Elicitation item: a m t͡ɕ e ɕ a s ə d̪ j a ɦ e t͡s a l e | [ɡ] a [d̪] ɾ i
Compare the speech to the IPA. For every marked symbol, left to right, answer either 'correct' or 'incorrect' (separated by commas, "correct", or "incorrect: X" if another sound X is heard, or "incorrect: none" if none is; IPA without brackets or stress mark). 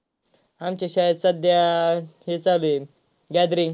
correct, correct